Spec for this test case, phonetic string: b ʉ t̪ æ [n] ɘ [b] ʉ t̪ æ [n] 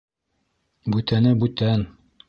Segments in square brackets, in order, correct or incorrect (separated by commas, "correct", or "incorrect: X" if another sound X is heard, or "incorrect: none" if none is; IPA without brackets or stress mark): correct, correct, correct